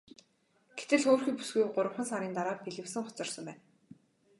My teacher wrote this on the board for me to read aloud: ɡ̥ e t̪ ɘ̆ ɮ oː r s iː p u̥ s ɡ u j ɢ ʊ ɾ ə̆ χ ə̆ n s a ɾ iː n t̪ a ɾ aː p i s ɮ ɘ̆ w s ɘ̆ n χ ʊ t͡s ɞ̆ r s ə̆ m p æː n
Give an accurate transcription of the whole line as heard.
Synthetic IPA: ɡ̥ e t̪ ɘ̆ ɮ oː r x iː p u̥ s ɡ u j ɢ ʊ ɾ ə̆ χ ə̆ n s a ɾ iː n t̪ a ɾ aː p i ɮ ɘ̆ w s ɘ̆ ŋ χ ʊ t͡s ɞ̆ r s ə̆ m p æː n